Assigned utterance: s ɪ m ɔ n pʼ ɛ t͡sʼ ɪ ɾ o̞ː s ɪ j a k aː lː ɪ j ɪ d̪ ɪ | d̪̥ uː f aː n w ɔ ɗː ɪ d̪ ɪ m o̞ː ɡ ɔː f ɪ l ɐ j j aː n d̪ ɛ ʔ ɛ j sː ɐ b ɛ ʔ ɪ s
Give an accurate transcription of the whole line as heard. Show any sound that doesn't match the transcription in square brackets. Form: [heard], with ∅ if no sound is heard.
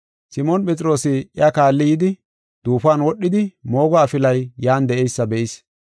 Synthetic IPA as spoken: s ɪ m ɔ n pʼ ɛ t͡sʼ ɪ ɾ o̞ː s ɪ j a k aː lː ɪ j ɪ d̪ ɪ | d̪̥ uː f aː n w ɔ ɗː ɪ d̪ ɪ m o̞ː ɡ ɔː f ɪ l ɐ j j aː n d̪ ɛ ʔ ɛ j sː ɐ b ɛ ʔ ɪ s